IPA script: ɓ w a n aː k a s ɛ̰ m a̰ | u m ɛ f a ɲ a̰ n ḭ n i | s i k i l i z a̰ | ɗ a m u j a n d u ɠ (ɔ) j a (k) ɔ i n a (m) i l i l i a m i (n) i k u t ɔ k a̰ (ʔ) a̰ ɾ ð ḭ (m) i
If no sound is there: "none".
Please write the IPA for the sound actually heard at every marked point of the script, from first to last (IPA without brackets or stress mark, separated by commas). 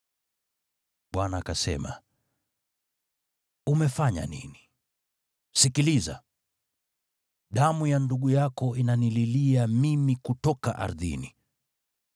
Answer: u, k, n, m, ʔ, n